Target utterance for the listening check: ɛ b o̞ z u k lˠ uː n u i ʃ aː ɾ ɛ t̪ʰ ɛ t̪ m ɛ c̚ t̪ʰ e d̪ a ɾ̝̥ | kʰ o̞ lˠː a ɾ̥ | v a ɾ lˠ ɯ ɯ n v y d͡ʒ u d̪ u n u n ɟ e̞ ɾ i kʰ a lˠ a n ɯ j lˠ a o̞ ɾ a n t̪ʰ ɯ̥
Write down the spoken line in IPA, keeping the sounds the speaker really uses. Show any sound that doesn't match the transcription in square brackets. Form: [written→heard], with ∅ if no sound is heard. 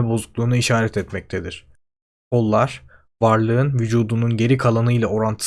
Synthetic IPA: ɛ b o̞ z u k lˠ uː n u i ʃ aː ɾ ɛ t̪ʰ ɛ t̪ m ɛ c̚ t̪ʰ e d̪ [a→i] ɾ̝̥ | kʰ o̞ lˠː a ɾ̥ | v a ɾ lˠ ɯ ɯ n v y d͡ʒ [u→uː] d̪ u n u n ɟ e̞ ɾ i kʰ a lˠ a n ɯ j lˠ a o̞ ɾ a n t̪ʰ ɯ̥